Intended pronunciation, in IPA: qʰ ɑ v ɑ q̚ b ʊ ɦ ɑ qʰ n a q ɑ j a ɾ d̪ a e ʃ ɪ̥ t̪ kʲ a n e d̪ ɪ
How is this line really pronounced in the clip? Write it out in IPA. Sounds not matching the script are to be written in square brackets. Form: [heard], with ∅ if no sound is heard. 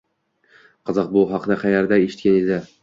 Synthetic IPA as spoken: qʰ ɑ [z] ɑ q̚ b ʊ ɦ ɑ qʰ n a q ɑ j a ɾ d̪ a e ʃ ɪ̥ t̪ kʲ a n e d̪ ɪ